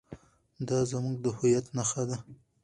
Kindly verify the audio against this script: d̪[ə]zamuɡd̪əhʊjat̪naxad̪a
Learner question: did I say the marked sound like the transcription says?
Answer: no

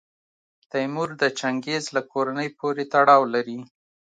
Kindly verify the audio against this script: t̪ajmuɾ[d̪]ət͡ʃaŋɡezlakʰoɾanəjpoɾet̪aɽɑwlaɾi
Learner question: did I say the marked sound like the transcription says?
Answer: yes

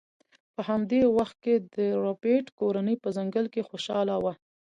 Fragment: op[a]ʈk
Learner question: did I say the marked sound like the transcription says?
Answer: no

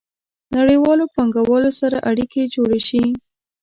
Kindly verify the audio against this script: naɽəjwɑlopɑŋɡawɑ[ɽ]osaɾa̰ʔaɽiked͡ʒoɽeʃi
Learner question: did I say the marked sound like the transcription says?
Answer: no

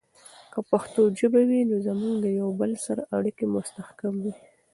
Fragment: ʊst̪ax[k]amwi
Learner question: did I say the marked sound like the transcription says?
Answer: yes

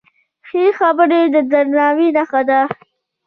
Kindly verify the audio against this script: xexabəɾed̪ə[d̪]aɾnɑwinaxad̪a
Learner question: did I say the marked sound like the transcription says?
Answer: yes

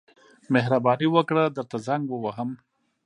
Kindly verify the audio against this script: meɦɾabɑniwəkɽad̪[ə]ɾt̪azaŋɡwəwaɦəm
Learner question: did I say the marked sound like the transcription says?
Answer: yes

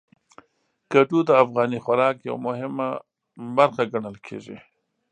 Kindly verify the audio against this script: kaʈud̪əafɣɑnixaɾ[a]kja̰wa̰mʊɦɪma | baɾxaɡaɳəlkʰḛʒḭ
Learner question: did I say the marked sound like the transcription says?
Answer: no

